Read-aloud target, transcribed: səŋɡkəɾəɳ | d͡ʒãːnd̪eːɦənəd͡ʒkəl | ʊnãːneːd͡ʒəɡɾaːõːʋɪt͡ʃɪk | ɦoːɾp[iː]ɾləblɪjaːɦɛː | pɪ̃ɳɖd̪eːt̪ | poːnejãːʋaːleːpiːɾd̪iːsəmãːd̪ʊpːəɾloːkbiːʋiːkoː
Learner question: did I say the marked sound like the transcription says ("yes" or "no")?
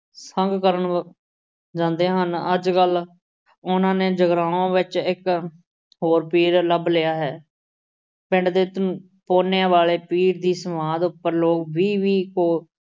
yes